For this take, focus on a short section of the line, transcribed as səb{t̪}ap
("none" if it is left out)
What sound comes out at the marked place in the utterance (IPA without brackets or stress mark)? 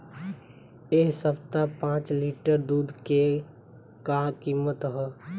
t̪